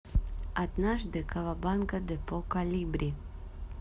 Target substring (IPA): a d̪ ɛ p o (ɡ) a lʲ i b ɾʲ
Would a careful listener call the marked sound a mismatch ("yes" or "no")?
yes